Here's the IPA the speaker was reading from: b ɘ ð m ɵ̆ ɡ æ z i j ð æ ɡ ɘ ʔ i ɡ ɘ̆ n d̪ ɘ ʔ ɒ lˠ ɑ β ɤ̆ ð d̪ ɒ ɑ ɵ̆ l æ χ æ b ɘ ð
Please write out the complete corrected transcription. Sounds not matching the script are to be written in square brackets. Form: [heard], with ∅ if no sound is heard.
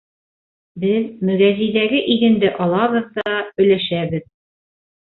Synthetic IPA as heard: b ɘ ð m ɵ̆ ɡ æ z i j ð æ ɡ ɘ ʔ i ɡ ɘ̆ n d̪ ɘ ʔ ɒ lˠ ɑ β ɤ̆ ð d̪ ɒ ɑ ɵ̆ l æ [ʃ] æ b ɘ ð